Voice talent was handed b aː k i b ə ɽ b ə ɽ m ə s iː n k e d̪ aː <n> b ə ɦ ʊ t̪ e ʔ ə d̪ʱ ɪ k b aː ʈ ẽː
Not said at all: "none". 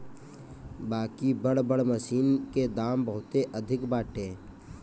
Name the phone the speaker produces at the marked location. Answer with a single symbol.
m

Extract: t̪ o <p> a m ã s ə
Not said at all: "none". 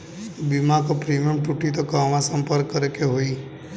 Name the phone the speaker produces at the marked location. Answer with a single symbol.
k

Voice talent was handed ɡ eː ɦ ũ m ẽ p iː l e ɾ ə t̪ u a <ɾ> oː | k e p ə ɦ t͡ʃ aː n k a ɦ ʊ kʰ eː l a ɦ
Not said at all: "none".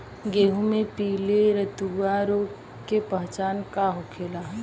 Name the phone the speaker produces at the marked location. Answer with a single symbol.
ɾ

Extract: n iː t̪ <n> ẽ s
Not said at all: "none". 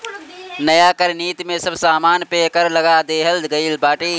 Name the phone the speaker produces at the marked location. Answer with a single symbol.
m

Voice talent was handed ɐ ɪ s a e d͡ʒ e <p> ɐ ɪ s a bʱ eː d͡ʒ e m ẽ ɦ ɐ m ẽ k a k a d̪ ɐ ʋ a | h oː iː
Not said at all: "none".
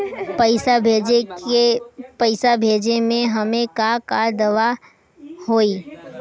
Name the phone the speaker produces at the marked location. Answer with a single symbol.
p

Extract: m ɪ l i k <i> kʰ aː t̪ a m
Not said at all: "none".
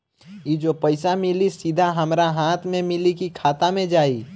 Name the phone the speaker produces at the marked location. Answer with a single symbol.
i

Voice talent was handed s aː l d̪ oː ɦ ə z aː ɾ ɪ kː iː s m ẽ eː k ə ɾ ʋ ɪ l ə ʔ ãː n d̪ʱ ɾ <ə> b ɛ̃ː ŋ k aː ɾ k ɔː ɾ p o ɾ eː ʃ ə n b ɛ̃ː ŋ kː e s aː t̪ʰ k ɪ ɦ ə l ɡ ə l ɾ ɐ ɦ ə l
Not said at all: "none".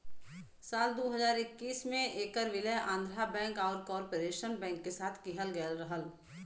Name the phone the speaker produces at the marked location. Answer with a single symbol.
a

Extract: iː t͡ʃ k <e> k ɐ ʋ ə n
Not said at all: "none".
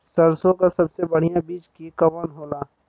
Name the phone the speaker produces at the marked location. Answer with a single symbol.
i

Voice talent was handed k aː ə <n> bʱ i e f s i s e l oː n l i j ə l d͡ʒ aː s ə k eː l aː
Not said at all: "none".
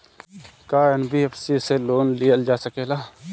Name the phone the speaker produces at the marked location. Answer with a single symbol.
n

